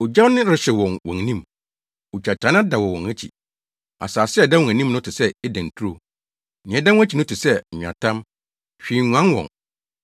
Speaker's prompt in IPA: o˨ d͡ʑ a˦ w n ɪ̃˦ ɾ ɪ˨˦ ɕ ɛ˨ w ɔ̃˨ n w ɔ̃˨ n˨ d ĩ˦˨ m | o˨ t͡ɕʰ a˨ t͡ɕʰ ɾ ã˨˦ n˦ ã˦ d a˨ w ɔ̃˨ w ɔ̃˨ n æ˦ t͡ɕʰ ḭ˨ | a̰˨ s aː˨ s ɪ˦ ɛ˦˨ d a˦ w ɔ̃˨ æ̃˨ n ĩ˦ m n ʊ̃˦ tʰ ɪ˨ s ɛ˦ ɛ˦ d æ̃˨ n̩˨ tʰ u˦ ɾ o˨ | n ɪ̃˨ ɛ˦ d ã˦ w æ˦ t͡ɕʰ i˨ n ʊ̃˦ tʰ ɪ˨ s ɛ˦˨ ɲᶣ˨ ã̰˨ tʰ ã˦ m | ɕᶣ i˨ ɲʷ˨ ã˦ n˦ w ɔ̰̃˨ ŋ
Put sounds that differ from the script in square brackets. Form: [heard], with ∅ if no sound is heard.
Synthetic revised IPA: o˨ d͡ʑ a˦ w n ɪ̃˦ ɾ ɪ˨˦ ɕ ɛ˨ w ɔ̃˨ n w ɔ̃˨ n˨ [n] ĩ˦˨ m | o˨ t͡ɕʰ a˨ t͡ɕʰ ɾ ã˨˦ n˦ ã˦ d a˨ w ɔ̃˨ w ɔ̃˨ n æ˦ t͡ɕʰ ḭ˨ | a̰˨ s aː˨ s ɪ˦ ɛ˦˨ d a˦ w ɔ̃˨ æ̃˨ n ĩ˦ m n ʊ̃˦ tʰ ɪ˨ s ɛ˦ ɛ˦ d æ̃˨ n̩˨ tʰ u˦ ɾ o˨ | n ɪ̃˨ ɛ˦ d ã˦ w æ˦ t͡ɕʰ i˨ n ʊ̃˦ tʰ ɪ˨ s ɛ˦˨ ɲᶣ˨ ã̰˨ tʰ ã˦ m | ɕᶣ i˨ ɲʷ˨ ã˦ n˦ w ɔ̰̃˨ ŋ